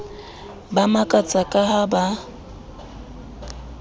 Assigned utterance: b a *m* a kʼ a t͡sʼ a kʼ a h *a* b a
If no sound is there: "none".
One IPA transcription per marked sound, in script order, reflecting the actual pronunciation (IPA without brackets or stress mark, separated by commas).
m, a